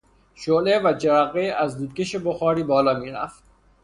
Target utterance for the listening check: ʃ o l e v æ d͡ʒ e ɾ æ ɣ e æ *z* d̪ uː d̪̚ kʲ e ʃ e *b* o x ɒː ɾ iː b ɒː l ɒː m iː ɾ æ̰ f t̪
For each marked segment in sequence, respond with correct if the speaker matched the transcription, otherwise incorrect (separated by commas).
correct, correct